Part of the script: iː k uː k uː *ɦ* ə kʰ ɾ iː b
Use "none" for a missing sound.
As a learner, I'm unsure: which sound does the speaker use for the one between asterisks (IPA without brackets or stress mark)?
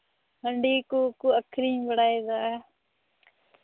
none